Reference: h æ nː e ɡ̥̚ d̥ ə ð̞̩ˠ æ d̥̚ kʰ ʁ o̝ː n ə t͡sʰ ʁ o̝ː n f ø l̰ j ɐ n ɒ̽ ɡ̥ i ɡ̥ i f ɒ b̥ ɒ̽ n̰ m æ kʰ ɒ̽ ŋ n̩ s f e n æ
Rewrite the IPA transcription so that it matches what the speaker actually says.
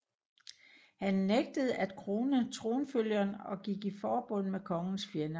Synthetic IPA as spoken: h æ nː e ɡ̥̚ d̥ ə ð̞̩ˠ æ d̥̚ kʰ ʁ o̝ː n ə t͡sʰ ʁ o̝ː n f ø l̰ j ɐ n ɒ̽ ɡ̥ i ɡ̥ i f ɒː b̥ ɔ̽ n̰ m e kʰ ɒ̽ ŋ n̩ s f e n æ